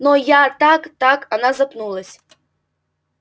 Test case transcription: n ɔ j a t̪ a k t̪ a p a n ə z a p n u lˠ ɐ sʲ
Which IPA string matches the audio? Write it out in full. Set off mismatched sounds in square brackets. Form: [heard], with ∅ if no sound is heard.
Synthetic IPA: n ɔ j a t̪ a k t̪ a [k] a n [a] z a p n u lˠ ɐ sʲ

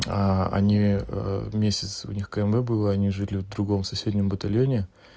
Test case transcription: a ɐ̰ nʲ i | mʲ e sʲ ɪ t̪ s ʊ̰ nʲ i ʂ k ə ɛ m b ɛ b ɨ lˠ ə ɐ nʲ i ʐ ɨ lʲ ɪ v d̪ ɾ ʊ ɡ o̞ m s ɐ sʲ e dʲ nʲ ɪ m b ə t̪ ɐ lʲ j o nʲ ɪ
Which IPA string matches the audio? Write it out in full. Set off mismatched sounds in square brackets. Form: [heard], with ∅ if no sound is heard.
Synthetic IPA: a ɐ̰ nʲ i | mʲ e sʲ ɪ t̪ s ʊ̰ nʲ i [x] k ə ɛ m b ɛ b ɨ lˠ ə ɐ nʲ i ʐ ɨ lʲ ɪ v d̪ ɾ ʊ ɡ o̞ m s ɐ sʲ e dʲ nʲ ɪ m b ə t̪ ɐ lʲ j o nʲ ɪ

